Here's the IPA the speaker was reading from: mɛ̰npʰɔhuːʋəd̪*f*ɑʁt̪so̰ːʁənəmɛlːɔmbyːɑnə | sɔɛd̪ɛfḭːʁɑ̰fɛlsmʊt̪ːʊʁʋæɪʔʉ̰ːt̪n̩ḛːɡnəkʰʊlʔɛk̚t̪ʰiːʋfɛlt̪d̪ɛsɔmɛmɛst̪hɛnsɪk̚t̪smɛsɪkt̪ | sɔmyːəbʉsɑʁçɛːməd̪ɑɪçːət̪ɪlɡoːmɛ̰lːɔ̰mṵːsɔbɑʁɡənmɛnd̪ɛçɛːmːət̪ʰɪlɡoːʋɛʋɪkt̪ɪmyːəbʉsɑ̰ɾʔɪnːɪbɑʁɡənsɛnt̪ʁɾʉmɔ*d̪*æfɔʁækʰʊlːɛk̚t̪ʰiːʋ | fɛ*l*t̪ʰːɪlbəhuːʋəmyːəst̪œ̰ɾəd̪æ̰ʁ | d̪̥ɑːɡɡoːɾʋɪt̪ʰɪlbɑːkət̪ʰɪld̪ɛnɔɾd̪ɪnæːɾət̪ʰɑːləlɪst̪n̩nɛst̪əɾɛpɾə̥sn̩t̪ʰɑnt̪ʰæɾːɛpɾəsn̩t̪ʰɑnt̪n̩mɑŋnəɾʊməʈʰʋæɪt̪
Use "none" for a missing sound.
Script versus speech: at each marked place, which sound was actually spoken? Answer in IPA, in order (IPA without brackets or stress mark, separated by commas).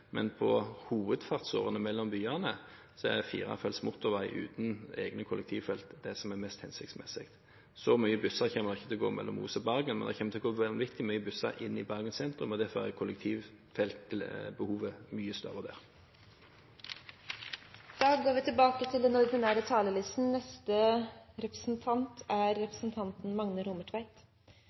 f, d̪, l